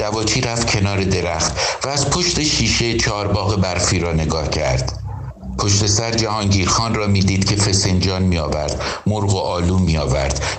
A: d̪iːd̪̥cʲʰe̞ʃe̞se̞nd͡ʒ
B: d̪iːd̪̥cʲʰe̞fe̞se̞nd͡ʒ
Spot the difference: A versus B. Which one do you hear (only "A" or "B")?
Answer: B